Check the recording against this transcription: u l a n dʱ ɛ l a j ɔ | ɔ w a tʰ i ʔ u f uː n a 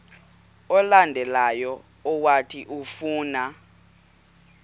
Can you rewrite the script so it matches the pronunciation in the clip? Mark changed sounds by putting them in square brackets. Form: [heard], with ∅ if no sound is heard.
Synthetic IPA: [ɔ] l a n dʱ ɛ l a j ɔ | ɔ w a tʰ i ʔ u f uː n a